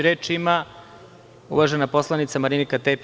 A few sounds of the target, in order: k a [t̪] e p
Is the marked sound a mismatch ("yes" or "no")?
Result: no